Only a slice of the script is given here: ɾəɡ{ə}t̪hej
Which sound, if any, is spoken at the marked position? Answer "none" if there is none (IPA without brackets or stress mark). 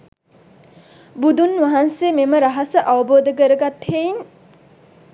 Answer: a